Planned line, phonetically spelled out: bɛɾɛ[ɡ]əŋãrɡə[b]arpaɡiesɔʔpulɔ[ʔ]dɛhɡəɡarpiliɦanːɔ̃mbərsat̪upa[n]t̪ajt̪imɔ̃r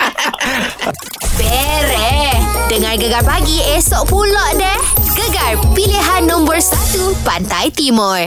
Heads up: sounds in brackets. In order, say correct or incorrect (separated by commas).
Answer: incorrect, incorrect, correct, correct